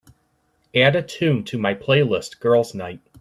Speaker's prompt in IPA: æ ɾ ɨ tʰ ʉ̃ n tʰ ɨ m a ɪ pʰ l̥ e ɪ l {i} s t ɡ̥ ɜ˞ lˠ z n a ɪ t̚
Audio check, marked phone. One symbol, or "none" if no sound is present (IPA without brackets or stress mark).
ɪ